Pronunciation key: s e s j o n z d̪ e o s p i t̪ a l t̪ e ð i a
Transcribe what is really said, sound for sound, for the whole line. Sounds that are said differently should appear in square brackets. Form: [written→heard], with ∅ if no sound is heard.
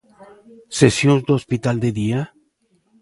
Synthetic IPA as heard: s e s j o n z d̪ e o s p i t̪ a l [t̪→d̪] e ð i a